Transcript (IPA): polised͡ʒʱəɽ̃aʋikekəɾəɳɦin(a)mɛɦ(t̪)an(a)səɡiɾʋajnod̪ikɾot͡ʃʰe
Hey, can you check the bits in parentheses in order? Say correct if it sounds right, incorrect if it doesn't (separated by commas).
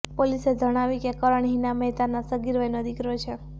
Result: correct, correct, correct